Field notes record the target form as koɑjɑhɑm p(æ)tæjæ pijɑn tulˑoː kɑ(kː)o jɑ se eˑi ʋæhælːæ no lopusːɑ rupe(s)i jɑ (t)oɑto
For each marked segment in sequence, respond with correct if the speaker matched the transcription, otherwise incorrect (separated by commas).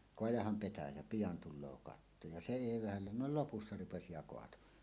incorrect, incorrect, correct, incorrect